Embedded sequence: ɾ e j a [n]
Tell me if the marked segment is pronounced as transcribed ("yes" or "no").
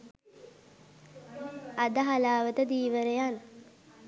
yes